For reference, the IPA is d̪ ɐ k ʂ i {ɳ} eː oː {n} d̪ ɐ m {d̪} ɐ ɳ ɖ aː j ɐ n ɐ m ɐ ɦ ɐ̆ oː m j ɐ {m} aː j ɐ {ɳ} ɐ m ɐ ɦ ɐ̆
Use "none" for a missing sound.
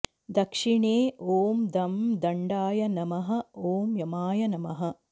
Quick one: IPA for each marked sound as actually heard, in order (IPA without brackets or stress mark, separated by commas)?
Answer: ɳ, m, d̪, m, n